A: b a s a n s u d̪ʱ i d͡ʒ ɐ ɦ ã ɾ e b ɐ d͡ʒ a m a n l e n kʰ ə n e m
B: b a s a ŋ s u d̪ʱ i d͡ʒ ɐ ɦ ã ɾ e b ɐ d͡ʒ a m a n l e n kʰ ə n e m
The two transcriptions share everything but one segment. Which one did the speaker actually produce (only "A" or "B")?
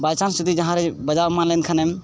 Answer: A